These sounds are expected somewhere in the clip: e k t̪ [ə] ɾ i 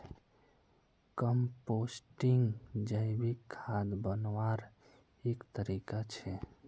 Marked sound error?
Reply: no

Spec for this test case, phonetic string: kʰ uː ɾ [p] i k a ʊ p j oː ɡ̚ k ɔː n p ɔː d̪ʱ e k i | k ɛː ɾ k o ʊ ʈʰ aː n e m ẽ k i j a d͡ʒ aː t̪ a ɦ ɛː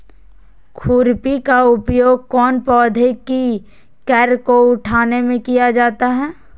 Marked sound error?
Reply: no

